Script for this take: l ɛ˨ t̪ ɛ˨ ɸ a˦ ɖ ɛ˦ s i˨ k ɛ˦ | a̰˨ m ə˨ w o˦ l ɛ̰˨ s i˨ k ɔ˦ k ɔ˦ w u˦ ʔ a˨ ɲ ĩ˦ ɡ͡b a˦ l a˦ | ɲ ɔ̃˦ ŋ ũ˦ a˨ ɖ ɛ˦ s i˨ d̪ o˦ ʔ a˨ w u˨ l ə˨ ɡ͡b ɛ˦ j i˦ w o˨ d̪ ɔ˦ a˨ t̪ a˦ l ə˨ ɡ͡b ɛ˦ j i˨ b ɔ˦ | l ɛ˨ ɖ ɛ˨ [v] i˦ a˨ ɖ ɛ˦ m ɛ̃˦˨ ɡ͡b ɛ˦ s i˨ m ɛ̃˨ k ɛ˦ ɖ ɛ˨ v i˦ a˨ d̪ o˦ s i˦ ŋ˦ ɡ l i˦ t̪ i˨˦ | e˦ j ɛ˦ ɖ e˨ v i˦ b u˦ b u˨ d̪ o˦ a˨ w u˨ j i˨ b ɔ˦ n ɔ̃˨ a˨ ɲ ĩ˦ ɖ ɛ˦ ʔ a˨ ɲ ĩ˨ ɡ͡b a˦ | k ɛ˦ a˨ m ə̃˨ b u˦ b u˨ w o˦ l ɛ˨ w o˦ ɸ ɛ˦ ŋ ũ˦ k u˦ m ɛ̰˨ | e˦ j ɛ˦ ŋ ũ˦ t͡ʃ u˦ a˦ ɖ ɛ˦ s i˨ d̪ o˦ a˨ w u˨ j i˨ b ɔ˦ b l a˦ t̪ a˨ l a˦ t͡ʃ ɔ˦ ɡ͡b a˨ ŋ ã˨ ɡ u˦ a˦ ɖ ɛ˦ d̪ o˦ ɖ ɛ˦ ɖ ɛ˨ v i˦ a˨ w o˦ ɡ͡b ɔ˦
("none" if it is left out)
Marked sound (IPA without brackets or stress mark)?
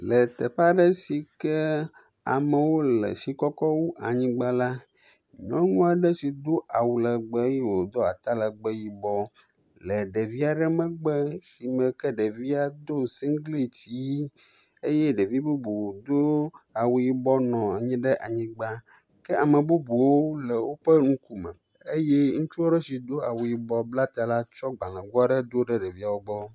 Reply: v